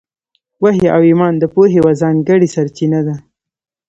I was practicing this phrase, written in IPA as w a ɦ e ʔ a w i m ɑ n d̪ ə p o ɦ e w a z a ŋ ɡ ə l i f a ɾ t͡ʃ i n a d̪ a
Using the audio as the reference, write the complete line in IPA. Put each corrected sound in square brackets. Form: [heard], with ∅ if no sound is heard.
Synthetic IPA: w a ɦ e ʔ a w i m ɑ n d̪ ə p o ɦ e w a z [ɑ] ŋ ɡ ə [ɽ] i [s] a ɾ t͡ʃ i n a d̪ a